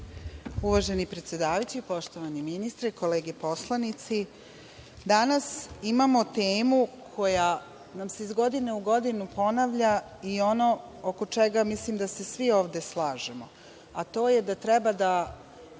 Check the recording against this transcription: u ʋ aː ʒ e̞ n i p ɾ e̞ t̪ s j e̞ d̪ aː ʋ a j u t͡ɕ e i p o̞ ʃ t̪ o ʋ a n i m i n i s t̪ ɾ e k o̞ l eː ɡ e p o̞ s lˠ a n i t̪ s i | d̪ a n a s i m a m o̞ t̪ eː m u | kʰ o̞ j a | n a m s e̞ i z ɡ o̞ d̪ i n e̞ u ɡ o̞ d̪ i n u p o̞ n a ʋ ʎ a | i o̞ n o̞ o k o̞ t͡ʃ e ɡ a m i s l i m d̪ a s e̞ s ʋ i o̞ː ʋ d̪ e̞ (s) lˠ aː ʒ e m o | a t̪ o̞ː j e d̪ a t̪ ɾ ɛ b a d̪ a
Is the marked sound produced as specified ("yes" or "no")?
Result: yes